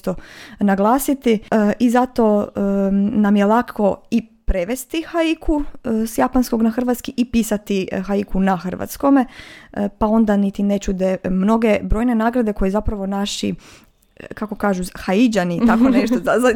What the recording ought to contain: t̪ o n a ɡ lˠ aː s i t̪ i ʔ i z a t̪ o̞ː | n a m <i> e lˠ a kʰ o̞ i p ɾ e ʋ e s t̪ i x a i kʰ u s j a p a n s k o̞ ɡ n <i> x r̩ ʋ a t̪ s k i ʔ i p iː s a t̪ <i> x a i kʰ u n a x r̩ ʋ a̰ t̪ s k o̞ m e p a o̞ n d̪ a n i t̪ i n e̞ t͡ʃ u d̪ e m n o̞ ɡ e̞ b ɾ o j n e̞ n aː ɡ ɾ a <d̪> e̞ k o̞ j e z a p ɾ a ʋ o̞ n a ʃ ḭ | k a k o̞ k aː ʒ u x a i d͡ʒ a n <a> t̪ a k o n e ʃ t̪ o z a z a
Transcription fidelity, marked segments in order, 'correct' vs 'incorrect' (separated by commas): incorrect, incorrect, correct, correct, incorrect